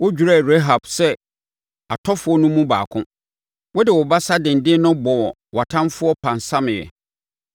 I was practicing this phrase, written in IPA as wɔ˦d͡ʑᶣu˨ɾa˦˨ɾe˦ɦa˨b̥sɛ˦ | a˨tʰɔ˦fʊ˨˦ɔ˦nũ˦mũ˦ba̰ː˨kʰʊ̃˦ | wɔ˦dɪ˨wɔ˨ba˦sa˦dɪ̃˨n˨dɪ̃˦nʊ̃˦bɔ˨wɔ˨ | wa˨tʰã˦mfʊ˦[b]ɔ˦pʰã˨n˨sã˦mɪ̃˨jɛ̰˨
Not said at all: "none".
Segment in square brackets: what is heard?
none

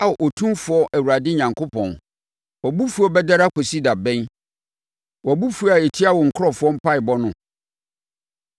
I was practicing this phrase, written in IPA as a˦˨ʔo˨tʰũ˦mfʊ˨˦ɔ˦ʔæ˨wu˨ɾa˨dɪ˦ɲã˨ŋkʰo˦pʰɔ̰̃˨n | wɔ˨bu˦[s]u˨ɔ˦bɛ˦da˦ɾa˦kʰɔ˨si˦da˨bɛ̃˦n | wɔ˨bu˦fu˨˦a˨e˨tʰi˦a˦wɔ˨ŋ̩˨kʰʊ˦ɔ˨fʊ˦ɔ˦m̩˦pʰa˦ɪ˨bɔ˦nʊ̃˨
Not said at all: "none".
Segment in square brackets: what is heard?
f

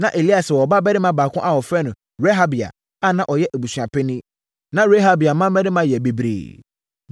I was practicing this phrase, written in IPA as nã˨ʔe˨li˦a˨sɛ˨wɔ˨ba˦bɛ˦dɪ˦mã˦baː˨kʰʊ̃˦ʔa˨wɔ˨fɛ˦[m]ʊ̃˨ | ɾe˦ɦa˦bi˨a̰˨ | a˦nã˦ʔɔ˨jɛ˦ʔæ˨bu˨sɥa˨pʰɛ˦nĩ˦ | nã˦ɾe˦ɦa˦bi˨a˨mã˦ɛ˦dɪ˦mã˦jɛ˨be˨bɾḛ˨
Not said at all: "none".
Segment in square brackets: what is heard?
n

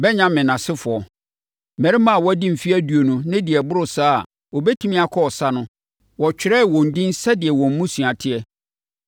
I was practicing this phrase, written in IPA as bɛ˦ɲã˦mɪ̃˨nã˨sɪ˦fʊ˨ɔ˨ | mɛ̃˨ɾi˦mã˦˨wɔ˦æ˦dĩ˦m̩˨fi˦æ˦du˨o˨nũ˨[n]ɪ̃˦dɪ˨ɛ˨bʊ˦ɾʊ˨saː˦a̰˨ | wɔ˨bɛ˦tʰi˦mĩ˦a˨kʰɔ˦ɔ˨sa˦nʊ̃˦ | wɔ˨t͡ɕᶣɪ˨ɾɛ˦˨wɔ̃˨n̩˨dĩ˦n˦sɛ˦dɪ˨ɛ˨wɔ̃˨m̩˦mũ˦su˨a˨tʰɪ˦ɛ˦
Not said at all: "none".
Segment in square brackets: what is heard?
n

